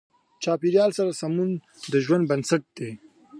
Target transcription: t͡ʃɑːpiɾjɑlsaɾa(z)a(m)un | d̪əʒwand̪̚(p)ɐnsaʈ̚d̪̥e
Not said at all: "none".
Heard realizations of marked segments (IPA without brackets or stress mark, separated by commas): s, m, b